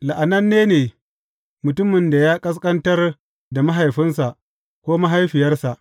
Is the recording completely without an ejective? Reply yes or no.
no